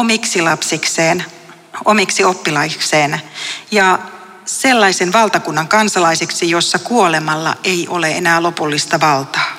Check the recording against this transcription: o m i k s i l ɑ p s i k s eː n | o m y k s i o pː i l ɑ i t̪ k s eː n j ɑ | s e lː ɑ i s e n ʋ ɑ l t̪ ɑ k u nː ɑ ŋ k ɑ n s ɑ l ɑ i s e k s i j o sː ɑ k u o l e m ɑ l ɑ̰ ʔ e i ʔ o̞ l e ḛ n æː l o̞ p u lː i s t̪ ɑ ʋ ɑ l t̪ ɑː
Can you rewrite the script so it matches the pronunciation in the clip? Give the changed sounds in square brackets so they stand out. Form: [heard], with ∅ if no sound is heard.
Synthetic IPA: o m i k s i l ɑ p s i k s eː n | o m [i] k s i o pː i l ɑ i [∅] k s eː n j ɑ | s e lː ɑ i s e n ʋ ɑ l t̪ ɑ k u nː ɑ ŋ k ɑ n s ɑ l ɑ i s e k s i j o sː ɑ k u o l e m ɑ [lː] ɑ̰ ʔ e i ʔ o̞ l e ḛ n æː l o̞ p u lː i s t̪ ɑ ʋ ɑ l t̪ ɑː